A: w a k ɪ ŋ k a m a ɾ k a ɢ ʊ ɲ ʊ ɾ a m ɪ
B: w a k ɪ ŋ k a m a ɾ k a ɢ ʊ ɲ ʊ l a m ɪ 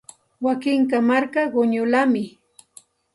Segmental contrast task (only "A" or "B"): B